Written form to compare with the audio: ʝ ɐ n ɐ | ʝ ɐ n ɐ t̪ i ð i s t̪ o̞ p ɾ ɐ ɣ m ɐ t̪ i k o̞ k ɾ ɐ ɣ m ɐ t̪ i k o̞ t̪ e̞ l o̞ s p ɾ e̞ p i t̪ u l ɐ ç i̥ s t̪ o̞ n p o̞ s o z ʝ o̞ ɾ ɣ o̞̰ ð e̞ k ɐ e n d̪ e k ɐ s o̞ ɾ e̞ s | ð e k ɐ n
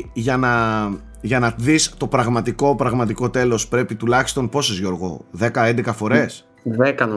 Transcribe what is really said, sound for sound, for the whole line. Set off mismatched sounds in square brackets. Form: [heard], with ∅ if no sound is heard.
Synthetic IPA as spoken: ʝ ɐ n ɐ | ʝ ɐ n ɐ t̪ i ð i s t̪ o̞ p ɾ ɐ ɣ m ɐ t̪ i k o̞ [p] ɾ ɐ ɣ m ɐ t̪ i k o̞ t̪ e̞ l o̞ s p ɾ e̞ p i t̪ u l ɐ ç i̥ s t̪ o̞ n p o̞ s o z ʝ o̞ ɾ ɣ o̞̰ ð e̞ k ɐ e n d̪ e k ɐ [f] o̞ ɾ e̞ s | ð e k ɐ n